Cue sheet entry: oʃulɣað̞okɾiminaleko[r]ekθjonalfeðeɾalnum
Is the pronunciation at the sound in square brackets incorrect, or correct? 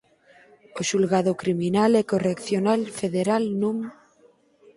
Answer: correct